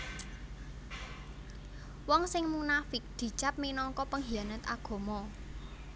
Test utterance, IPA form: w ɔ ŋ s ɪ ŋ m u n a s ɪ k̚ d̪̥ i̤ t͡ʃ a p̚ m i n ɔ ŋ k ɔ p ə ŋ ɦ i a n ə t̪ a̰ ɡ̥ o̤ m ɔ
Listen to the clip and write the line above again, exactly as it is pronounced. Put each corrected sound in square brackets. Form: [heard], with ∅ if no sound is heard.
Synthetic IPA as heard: w ɔ ŋ s ɪ ŋ m u n a [f] ɪ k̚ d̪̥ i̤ t͡ʃ a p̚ m i n ɔ ŋ k ɔ p ə ŋ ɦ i a n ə t̪ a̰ ɡ̥ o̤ m ɔ